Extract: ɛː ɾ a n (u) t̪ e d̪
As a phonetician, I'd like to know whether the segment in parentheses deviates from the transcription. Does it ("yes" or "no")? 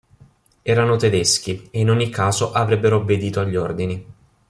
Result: yes